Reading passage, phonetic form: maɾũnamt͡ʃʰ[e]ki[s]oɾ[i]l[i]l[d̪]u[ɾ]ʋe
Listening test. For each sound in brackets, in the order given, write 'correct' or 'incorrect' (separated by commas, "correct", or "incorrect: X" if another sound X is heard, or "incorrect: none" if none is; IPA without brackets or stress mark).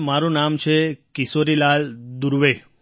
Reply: correct, correct, correct, incorrect: a, correct, correct